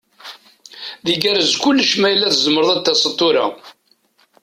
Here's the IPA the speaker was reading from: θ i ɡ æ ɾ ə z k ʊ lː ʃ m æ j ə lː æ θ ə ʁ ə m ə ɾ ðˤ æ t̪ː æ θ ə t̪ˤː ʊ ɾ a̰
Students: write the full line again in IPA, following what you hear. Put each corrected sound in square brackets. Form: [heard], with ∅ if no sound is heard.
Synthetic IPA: [ð] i ɡ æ ɾ ə z k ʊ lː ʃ m æ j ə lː æ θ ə [z] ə m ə ɾ ðˤ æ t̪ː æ [s] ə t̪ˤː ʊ ɾ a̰